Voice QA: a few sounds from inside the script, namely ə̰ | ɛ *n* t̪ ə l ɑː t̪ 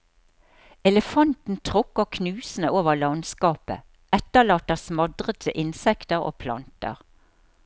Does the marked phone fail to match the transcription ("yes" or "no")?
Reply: yes